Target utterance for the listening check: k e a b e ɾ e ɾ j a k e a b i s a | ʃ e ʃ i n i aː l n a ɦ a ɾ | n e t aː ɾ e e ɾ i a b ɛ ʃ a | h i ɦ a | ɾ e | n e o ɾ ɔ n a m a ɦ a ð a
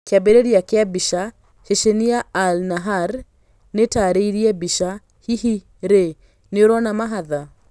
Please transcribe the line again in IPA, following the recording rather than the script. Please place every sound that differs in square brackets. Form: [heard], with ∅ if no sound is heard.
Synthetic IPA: k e a b e ɾ e ɾ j a k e a b i [ʃ] a | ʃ e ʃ [e] n i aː l n a ɦ a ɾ | n e t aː ɾ e [i] ɾ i [ɛ] b [i] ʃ a | h i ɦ [i] | ɾ e | n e o ɾ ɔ n a m a ɦ a ð a

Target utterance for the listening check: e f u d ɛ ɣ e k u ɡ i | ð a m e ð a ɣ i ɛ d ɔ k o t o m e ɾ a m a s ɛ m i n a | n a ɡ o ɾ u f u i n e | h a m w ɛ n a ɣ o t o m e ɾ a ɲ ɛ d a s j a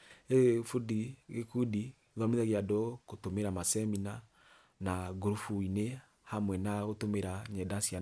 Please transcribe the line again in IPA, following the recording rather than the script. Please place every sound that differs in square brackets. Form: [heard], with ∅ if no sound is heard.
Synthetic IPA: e f u d [i] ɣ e k u [d] i | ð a m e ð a ɣ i [a] d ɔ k o t o m e ɾ a m a s ɛ m i n a | n a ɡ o ɾ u f u i n e | h a m w ɛ n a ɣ o t o m e ɾ a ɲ ɛ d a s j a

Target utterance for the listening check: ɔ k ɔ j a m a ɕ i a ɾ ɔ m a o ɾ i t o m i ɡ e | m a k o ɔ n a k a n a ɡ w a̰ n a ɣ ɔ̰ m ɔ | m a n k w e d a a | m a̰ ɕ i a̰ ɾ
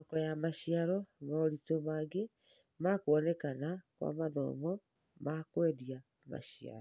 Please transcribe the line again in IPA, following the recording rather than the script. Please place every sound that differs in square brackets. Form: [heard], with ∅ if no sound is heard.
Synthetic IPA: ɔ k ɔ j a m a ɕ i a ɾ ɔ m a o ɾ i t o m [a] ɡ e | m a k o ɔ n [ɛ] k a n a [k] w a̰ [m] a [ð] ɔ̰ m ɔ | m a [∅] k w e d [i] a | m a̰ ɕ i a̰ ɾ

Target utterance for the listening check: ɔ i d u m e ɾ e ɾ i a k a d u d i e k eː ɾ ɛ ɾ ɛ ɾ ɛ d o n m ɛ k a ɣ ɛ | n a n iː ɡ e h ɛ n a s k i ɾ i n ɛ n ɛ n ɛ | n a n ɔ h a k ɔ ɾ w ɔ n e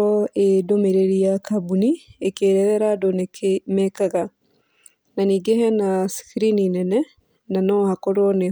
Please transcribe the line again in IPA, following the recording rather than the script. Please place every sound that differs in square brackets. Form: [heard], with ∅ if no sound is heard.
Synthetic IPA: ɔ [e] d [o] m e ɾ e ɾ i a k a [b] u [n] i e k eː ɾ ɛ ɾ ɛ ɾ [a] d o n m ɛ k a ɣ [a] | n a n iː ɡ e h ɛ n a s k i ɾ i n [i] n ɛ n ɛ | n a n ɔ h a k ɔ ɾ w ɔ n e

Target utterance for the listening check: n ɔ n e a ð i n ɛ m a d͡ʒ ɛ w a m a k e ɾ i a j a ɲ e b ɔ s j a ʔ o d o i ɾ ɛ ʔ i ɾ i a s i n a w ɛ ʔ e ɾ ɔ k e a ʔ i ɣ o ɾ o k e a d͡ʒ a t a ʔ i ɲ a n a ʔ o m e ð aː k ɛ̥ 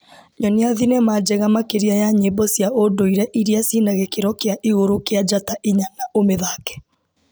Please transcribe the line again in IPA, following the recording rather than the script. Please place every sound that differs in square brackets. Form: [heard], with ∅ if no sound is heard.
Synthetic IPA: [ɲ] ɔ n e a ð i n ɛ m a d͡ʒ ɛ [ɣ] a m a k e ɾ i a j a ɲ e b ɔ s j a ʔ o d o i ɾ ɛ ʔ i ɾ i a s i n a [ɣ] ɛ [k] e ɾ ɔ k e a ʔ i ɣ o ɾ o k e a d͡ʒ a t a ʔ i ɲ a n a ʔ o m e ð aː k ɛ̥

